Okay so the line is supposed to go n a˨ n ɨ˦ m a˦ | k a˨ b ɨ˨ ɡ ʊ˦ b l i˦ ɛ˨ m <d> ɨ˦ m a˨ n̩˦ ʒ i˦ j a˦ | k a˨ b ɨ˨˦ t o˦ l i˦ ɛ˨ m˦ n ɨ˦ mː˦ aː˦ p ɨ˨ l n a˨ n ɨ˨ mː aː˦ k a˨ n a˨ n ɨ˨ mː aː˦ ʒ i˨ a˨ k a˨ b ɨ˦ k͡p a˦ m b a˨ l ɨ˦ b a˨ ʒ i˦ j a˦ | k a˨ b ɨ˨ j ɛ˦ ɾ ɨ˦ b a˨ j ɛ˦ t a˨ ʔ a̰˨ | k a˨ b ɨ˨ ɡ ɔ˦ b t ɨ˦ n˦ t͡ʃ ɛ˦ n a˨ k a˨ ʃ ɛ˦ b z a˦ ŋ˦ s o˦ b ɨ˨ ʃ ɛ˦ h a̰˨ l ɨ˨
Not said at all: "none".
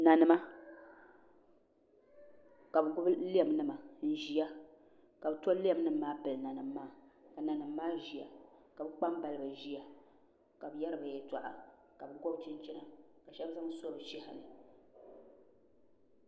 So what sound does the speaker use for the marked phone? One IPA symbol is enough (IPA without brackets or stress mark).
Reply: n